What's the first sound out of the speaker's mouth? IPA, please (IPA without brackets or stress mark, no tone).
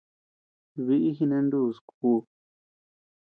β